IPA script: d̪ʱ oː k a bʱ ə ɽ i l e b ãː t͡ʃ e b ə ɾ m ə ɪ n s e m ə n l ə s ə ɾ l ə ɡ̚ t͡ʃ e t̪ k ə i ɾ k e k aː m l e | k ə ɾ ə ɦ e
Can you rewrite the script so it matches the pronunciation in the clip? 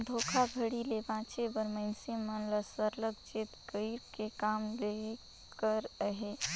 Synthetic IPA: d̪ʱ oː kʰ a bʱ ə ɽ i l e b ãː t͡ʃ e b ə ɾ m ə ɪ n s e m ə n l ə s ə ɾ l ə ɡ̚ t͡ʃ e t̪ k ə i ɾ k e k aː m l e | k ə ɾ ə ɦ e